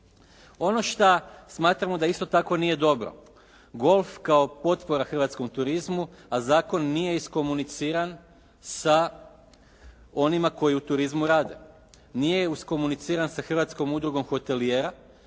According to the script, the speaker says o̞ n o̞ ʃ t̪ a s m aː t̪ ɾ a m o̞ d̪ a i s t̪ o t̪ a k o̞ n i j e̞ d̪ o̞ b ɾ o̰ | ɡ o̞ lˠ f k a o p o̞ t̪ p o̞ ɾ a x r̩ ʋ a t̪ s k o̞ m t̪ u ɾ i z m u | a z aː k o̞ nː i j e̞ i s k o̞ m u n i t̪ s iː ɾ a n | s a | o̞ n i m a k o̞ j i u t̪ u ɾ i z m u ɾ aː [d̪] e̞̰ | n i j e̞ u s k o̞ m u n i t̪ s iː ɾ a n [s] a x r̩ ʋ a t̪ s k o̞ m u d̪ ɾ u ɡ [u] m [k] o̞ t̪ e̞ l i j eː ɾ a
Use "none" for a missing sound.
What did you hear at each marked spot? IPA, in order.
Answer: d̪, s, o, x

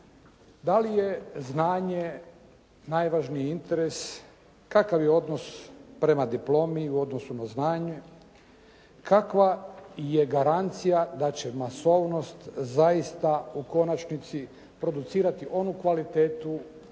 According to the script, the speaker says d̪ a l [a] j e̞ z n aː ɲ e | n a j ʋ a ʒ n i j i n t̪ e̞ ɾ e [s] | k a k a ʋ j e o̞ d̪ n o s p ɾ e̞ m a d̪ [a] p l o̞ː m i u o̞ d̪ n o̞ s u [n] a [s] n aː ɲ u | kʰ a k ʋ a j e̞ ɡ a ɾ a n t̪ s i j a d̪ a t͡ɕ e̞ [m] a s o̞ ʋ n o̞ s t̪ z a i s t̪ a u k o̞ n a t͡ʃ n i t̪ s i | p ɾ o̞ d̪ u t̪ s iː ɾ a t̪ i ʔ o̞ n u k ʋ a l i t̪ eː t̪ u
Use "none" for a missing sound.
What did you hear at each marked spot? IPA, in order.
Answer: i, s, i, n, z, m

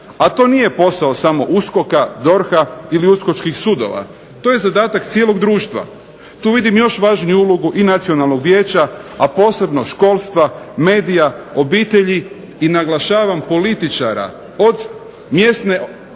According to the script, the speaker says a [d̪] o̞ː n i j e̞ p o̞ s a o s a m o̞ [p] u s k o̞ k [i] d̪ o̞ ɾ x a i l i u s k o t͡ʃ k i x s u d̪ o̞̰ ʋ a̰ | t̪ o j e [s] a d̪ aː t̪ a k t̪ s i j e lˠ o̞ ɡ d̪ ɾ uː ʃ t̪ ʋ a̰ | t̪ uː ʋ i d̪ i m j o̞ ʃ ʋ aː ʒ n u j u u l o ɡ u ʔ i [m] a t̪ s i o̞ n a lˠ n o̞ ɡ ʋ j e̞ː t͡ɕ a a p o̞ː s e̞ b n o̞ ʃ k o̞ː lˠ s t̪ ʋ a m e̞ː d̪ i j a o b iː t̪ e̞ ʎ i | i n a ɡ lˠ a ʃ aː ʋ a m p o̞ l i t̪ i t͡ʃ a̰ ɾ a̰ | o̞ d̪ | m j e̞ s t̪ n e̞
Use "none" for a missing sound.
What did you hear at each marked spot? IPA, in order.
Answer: t̪, ʔ, a, z, n

